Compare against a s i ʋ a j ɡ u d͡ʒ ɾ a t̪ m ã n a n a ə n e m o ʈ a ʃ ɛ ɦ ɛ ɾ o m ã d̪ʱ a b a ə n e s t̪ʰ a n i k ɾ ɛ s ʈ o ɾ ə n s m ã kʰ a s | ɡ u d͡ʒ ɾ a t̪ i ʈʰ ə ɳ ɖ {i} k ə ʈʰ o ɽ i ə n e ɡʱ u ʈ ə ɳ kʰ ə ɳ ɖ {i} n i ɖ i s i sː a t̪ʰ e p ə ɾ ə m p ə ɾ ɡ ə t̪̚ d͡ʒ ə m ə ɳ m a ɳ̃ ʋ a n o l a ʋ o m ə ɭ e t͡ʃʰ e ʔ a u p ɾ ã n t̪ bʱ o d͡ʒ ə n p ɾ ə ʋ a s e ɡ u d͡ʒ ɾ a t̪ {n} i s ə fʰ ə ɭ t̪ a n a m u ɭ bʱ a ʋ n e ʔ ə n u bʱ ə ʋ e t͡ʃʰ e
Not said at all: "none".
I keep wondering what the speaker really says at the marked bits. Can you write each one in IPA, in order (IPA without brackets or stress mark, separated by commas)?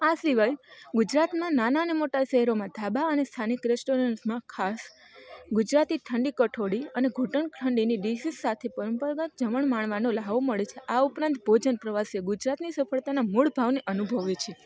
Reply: i, i, n